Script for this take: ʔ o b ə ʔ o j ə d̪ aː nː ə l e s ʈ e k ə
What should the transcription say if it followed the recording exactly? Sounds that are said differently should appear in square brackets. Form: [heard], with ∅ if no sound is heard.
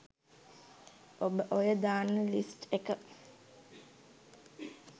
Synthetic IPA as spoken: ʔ o b ə ʔ o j ə d̪ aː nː ə l [i] s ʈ e k ə